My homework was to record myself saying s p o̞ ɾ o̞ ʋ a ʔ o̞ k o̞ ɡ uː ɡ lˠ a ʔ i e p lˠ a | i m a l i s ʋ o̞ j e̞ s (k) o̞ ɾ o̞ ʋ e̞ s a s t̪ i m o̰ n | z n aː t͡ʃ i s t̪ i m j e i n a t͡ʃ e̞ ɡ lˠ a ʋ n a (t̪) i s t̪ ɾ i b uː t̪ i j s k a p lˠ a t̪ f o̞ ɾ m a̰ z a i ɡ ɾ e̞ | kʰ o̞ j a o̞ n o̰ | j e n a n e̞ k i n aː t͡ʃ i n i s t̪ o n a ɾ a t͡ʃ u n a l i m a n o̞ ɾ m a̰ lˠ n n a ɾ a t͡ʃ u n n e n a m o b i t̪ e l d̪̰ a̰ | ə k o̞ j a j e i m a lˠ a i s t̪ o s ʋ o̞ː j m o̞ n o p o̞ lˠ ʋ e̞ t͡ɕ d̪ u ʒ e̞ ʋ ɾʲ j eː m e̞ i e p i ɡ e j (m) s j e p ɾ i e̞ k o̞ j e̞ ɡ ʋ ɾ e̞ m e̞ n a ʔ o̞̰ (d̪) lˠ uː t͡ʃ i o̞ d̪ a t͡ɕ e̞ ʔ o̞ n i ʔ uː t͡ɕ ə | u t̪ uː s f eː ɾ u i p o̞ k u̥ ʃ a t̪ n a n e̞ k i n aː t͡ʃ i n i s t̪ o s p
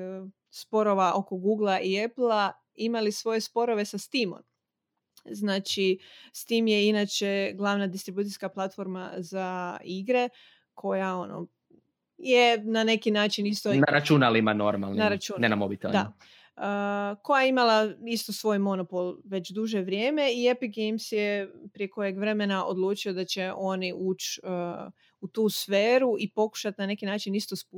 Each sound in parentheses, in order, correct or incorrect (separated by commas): incorrect, incorrect, correct, correct